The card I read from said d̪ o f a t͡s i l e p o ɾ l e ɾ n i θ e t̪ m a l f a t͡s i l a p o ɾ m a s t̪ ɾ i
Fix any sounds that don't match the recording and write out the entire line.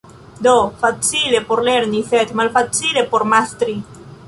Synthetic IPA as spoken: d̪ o f a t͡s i l e p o ɾ l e ɾ n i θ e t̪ m a l f a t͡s i l e p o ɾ m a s t̪ ɾ i